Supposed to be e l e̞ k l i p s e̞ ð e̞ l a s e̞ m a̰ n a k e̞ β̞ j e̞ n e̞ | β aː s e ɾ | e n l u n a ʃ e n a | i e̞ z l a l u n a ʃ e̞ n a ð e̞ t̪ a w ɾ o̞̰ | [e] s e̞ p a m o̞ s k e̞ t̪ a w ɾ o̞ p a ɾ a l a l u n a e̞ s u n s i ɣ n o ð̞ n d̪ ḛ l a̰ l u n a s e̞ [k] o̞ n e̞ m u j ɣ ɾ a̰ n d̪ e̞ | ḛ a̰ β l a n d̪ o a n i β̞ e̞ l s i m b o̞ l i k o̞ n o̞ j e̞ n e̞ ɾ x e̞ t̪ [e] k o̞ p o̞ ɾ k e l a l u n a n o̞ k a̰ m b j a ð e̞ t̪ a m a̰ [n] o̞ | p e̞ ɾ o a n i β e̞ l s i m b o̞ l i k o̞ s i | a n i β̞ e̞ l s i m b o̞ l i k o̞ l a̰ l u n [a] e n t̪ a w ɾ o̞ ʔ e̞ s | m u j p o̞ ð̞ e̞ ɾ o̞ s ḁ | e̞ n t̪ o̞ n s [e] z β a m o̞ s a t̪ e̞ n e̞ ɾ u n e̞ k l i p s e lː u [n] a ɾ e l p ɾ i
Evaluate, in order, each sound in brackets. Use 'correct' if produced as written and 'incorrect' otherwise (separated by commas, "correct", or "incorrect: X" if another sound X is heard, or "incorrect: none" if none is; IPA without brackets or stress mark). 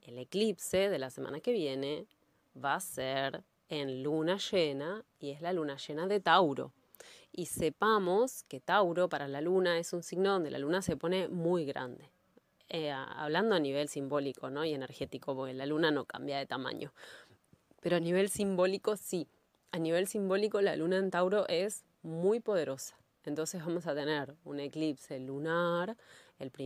incorrect: i, incorrect: p, incorrect: i, incorrect: ɲ, correct, correct, correct